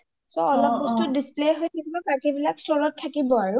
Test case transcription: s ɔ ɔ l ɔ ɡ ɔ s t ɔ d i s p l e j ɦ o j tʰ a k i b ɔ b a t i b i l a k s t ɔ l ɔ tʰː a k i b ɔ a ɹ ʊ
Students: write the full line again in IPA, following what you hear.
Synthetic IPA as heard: s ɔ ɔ l ɔ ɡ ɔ s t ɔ d i s p l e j ɦ o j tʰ a k i b ɔ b a k i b i l a k s t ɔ ɹ ɔ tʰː a k i b ɔ a ɹ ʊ

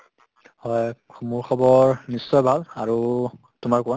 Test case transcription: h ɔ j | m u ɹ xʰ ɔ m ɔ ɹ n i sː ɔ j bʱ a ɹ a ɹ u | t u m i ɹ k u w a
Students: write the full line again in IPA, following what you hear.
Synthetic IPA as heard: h ɔ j | m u ɹ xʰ ɔ b ɔ ɹ n i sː ɔ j bʱ a l a ɹ u | t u m a ɹ k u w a

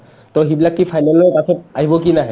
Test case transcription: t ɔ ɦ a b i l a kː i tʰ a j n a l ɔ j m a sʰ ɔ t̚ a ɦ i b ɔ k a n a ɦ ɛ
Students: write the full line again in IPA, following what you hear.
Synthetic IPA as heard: t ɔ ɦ i b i l a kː i pʰ a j n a l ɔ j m a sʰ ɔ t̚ a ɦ i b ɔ k i n a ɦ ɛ

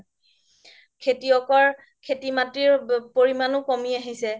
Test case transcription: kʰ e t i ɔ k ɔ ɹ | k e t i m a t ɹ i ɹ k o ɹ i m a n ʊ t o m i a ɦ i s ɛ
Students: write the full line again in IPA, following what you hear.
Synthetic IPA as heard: kʰ e t i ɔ k ɔ ɹ | kʰ e t i m a t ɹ i ɹ p o ɹ i m a n ʊ k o m i a ɦ i s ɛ

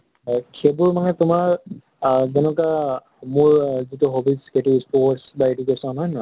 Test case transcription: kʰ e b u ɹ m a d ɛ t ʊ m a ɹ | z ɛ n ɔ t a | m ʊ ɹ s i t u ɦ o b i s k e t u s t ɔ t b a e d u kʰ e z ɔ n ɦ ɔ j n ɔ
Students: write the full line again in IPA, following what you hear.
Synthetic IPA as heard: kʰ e b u ɹ m a n ɛ t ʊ m a ɹ | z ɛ n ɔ k a | m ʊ ɹ z i t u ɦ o b i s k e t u s p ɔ s b a e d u k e s ɔ n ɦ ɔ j n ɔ

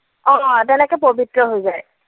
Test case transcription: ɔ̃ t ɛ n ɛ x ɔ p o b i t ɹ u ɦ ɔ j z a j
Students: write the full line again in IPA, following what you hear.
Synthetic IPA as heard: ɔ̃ t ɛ n ɛ k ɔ p o b i t ɹ ɔ ɦ o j z a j

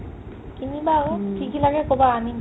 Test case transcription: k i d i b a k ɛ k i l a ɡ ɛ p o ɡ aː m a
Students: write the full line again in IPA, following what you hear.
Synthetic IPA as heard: k i n i b a k i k i l a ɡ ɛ k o b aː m i

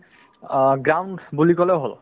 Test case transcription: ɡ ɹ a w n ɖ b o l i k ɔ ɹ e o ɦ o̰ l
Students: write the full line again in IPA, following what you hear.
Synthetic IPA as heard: ɡ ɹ a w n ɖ b u l i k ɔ l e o ɦ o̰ l

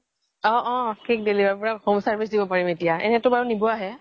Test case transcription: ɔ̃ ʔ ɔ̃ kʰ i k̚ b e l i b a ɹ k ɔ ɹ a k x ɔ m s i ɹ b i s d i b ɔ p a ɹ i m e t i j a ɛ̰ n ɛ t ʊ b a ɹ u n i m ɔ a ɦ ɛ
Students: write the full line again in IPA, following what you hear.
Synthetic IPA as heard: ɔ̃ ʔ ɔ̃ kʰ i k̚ d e l i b a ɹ p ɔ ɹ a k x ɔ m s a ɹ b i s d i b ɔ p a ɹ i m e t i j a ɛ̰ n ɛ t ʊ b a ɹ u n i b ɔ a ɦ ɛ

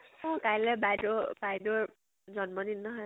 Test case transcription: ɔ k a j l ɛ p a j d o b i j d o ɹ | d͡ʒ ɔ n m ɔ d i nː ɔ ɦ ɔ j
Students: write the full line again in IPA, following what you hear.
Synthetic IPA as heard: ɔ k a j l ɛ b a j d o b a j d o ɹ | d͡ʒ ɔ n m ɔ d i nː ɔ ɦ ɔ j

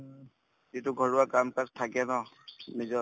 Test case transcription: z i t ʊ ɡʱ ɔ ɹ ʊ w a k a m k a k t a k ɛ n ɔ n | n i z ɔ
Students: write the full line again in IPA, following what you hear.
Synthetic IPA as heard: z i t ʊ ɡʱ ɔ ɹ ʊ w a k a m k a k tʰ a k ɛ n ɔ | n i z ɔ

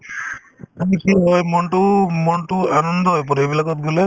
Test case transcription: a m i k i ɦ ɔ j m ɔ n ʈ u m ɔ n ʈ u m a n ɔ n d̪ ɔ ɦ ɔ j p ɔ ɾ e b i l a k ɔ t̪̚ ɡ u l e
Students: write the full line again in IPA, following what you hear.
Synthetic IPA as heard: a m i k i ɦ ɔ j m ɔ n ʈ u m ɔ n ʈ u a n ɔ n d̪ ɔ ɦ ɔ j p ɔ ɾ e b i l a k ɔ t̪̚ ɡ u l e

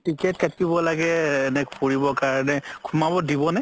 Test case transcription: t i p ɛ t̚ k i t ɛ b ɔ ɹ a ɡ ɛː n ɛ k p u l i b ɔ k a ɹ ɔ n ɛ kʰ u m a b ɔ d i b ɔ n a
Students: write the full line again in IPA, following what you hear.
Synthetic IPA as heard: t i k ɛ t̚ k a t i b ɔ l a ɡ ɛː n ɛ k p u ɹ i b ɔ k a ɹ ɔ n ɛ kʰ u m a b ɔ d i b ɔ n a

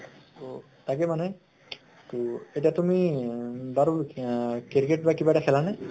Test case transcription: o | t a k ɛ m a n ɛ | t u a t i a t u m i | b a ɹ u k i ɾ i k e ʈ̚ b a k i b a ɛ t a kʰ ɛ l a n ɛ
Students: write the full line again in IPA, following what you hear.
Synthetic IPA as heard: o | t a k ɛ m a n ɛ | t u e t i a t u m i | b a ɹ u k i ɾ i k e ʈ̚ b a k i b a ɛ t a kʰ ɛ l a n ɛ

